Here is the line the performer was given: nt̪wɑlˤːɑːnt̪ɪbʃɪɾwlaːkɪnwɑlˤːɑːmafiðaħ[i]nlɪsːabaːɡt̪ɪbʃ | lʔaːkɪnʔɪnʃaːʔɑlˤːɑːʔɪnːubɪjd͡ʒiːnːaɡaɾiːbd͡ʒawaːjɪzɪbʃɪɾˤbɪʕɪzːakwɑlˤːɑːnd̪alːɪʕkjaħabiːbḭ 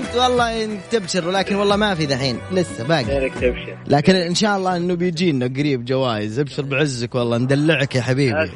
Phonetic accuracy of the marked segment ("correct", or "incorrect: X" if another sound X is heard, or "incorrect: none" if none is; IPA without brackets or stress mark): incorrect: iː